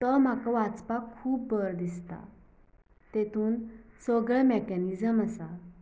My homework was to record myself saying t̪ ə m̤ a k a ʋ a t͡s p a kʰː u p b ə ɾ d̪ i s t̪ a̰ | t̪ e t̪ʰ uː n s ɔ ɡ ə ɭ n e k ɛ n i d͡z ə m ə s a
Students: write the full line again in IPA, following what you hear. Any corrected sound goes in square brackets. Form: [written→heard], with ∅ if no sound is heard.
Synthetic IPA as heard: t̪ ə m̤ a k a ʋ a t͡s p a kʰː [u→uː] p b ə ɾ d̪ i s t̪ a̰ | t̪ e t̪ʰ uː n s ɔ ɡ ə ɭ [n→m] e k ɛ n i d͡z ə m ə s a